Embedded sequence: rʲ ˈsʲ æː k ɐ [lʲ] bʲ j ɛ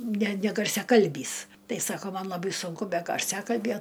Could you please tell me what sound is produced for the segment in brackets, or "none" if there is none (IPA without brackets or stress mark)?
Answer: lʲ